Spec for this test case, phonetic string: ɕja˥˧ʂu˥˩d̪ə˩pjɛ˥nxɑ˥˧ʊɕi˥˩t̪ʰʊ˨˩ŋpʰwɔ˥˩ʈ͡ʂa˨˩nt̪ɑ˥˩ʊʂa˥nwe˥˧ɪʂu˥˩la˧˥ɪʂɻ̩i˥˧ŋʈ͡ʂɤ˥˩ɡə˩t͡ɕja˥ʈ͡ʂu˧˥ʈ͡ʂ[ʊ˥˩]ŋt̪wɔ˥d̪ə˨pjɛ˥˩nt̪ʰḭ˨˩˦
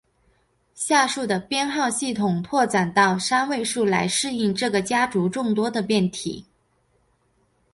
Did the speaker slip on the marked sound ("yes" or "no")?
no